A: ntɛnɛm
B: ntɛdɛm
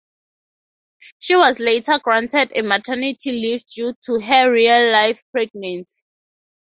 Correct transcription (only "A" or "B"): B